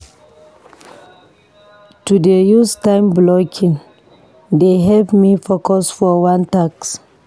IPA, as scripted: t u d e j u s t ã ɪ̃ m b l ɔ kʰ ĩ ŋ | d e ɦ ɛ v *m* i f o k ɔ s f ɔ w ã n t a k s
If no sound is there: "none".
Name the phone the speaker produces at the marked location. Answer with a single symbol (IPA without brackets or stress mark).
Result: m